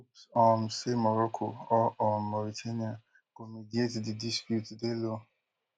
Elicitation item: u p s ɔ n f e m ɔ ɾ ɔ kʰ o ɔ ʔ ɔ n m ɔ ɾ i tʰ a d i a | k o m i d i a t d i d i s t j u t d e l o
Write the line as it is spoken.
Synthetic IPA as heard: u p s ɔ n s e m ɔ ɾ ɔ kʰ o ɔ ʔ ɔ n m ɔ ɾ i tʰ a n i a | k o m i d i e t d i d i s p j u t d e l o